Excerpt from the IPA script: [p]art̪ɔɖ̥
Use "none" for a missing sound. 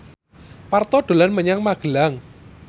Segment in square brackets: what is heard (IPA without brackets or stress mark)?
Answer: p